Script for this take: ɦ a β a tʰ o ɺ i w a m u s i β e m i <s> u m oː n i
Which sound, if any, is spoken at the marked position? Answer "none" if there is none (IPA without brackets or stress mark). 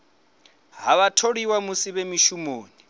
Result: ʃ